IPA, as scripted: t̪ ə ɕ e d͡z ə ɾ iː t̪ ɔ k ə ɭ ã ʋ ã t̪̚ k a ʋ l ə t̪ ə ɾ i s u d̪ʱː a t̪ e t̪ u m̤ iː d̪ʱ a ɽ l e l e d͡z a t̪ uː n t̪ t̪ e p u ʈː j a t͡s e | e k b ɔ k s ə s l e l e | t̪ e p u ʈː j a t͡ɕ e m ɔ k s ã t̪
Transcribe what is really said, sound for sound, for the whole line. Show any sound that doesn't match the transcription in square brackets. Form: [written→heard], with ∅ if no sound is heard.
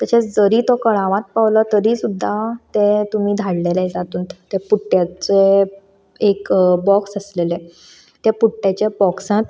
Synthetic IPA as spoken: t̪ ə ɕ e d͡z ə ɾ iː t̪ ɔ k ə ɭ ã ʋ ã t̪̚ [k→p] a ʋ l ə t̪ ə ɾ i s u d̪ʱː a t̪ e t̪ u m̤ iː d̪ʱ a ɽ l e l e d͡z a t̪ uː n t̪ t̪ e p u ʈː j a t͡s e | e k b ɔ k s ə s l e l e | t̪ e p u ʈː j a t͡ɕ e [m→b] ɔ k s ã t̪